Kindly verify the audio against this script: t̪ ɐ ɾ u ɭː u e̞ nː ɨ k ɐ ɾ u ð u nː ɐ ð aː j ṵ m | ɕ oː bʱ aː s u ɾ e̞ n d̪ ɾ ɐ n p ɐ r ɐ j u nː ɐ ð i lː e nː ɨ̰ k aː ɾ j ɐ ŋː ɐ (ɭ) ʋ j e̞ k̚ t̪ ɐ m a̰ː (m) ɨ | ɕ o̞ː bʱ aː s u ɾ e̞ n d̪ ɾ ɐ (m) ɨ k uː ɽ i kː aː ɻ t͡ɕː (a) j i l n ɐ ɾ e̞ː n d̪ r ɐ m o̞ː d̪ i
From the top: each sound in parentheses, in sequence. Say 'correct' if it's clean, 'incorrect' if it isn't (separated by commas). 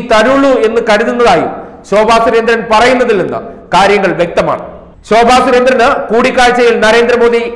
correct, incorrect, incorrect, incorrect